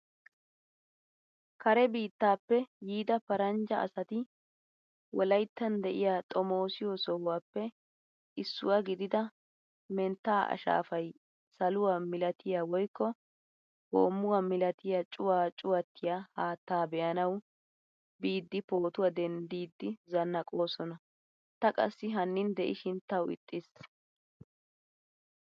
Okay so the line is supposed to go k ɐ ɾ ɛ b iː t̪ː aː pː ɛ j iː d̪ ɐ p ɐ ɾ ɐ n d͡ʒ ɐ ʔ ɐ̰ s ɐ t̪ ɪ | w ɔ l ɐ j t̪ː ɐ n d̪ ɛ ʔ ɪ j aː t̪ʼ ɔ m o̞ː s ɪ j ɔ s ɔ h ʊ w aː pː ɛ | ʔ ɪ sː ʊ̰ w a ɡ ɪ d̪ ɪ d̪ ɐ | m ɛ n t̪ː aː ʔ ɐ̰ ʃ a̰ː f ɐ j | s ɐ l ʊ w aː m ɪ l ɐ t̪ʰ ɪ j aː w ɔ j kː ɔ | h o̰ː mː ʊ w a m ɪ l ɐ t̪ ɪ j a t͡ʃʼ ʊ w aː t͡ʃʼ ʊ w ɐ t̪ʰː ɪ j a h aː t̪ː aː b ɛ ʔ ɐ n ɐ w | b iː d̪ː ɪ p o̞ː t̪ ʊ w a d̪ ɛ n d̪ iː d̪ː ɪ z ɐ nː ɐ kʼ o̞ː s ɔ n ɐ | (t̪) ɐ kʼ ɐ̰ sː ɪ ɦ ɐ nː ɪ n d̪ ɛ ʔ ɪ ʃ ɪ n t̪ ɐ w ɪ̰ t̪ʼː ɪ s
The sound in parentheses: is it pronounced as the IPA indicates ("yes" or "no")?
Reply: yes